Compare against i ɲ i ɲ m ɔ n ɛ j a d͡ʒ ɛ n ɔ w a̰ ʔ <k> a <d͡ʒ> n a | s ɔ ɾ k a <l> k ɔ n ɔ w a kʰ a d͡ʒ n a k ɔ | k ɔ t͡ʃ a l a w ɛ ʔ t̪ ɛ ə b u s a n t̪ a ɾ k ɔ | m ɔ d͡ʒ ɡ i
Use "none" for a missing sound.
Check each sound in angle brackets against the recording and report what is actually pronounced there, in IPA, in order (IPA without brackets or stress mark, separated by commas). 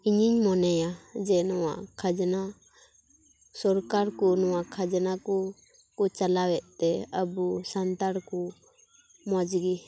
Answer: kʰ, d͡ʒ, ɾ